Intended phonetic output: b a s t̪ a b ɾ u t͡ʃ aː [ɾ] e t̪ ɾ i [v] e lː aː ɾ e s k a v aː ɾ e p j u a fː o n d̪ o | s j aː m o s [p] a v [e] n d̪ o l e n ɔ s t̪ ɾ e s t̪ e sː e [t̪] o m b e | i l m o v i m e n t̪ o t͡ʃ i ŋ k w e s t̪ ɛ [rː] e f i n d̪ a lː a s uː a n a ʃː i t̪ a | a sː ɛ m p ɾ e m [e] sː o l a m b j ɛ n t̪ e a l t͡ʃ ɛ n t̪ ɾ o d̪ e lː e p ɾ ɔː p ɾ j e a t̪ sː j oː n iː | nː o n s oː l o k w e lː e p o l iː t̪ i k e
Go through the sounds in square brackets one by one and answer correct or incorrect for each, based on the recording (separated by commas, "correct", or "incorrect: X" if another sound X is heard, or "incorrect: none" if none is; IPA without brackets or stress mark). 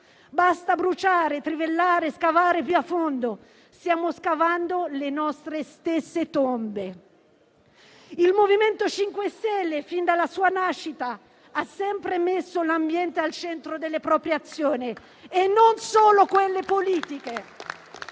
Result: correct, correct, incorrect: k, incorrect: a, correct, incorrect: lː, correct